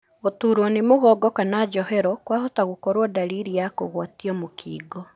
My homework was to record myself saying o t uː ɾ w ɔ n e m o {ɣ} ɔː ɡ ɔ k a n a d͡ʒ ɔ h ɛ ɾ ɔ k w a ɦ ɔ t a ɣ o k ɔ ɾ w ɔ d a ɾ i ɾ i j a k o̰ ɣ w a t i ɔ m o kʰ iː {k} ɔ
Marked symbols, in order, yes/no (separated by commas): yes, no